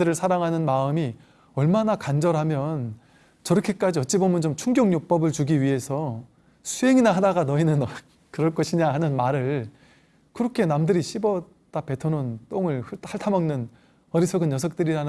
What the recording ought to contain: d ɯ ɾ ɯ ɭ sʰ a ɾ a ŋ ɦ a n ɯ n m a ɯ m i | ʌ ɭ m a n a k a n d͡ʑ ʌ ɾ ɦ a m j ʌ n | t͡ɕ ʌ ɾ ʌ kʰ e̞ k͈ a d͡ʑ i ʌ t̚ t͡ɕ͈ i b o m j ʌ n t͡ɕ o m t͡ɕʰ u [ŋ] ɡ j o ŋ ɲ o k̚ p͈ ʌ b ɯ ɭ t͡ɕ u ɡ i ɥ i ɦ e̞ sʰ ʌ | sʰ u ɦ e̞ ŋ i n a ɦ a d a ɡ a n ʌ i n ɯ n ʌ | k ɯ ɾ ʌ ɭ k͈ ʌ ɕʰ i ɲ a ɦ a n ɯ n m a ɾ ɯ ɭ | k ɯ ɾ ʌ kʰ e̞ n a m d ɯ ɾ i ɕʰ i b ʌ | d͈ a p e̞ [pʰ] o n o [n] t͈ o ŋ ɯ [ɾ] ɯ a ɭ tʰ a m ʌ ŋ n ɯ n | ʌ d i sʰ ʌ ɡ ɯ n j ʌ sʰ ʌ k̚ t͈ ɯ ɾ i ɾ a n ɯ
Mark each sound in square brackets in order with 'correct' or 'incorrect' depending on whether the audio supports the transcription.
correct, incorrect, correct, incorrect

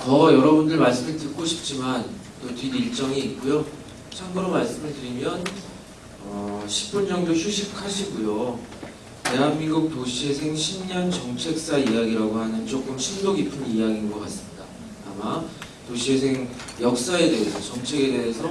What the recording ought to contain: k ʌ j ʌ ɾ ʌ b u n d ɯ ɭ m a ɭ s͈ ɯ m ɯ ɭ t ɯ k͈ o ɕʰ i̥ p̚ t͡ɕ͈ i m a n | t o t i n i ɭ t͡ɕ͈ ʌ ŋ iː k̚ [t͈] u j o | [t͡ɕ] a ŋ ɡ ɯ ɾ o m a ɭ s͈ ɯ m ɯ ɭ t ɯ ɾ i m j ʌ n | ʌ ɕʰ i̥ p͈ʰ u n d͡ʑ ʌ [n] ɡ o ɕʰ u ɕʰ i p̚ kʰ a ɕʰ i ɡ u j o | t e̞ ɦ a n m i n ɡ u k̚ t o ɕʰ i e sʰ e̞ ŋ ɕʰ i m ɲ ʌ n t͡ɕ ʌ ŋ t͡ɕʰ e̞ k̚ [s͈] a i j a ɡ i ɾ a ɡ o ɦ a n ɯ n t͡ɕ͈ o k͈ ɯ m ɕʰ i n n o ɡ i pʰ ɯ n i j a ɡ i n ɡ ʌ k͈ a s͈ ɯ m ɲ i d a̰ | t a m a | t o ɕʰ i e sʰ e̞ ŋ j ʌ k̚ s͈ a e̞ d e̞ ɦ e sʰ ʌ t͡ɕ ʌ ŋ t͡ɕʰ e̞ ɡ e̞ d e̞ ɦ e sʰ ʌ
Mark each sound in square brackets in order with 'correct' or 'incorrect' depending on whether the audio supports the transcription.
incorrect, incorrect, incorrect, correct

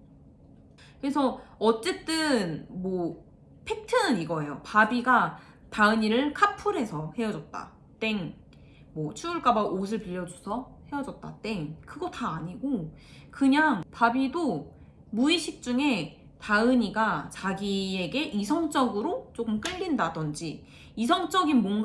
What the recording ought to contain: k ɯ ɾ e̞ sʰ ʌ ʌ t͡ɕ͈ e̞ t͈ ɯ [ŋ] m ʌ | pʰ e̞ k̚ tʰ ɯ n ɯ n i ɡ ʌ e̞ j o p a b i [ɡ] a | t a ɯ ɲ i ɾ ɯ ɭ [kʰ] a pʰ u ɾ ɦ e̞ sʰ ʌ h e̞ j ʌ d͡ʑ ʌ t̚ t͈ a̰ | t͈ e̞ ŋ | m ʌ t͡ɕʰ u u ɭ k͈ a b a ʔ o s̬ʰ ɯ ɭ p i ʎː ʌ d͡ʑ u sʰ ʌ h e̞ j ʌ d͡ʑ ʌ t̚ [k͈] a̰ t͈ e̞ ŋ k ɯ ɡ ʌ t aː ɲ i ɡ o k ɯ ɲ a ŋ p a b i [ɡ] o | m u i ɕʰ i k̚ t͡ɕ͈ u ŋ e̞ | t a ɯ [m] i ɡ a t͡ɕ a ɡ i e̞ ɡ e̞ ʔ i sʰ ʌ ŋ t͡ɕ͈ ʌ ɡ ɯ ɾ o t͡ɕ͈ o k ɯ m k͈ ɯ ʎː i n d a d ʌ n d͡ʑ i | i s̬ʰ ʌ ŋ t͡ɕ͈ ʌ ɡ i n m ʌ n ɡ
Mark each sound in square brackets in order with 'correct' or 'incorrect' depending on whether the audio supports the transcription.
incorrect, correct, correct, incorrect, incorrect, incorrect

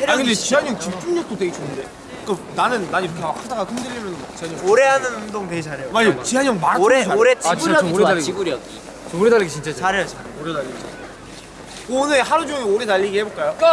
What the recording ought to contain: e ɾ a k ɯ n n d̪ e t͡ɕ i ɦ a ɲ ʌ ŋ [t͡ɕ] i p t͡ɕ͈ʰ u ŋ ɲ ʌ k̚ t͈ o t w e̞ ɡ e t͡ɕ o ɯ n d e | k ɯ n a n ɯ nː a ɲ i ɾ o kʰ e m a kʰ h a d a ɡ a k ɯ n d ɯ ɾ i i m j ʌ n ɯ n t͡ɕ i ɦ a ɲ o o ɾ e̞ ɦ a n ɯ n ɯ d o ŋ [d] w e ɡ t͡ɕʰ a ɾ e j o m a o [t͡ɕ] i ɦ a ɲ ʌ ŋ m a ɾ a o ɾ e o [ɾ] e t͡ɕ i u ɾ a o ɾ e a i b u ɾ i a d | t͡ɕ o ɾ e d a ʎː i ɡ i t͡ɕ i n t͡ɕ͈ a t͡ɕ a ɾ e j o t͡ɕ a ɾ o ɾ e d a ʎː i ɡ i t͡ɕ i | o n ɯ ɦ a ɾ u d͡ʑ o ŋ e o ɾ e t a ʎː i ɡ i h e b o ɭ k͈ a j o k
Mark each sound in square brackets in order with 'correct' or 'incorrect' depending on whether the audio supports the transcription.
correct, incorrect, correct, correct

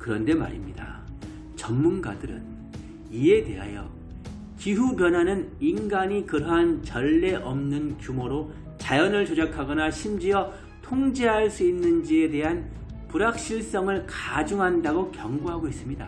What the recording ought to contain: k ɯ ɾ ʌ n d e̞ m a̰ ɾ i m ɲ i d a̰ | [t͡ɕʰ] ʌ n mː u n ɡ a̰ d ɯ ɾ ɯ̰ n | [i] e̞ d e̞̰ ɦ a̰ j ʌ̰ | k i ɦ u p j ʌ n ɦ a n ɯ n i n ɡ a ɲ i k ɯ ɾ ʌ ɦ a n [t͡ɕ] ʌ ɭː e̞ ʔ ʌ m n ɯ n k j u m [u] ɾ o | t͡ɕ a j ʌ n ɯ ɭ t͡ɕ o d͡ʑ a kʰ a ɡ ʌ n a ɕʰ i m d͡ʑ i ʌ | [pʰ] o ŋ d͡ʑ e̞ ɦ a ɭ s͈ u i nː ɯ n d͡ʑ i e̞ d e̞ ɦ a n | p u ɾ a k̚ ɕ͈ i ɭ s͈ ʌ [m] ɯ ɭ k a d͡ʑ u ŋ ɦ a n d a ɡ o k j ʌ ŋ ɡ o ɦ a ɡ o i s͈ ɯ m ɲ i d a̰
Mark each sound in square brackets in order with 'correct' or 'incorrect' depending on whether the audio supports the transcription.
incorrect, correct, correct, incorrect, incorrect, incorrect

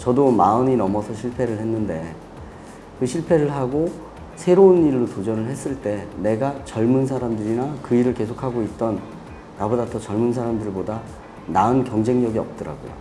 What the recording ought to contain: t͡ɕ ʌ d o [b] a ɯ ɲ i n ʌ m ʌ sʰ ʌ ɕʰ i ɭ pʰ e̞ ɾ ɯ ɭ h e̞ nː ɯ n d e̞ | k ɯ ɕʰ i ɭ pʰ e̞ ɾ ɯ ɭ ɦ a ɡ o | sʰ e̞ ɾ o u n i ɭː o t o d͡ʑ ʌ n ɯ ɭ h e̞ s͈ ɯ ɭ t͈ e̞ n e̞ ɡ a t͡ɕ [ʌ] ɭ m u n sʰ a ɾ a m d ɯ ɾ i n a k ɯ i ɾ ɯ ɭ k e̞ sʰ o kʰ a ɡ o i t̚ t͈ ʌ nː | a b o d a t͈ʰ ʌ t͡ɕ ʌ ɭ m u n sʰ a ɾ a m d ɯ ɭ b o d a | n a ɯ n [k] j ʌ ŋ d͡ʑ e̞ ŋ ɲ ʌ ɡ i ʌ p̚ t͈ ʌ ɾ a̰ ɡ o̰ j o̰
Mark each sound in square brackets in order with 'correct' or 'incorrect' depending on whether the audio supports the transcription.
incorrect, correct, correct

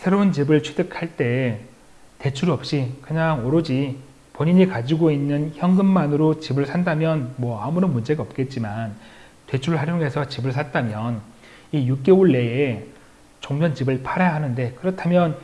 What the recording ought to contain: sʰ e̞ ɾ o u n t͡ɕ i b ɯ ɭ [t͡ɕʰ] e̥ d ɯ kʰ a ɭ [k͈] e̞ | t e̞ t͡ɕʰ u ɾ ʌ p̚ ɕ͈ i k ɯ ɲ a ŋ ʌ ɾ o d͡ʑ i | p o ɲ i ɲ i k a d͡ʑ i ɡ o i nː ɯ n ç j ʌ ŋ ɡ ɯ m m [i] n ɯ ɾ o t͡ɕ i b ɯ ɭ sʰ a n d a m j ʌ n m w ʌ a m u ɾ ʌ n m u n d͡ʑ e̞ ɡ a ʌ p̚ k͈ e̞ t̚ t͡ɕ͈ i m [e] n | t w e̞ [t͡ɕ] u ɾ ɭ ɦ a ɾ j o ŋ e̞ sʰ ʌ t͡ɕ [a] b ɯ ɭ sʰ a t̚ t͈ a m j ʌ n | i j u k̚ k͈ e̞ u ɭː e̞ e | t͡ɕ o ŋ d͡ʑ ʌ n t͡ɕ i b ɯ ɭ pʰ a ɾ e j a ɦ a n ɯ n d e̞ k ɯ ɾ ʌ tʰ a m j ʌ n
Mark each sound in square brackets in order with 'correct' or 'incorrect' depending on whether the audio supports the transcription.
correct, incorrect, incorrect, incorrect, incorrect, incorrect

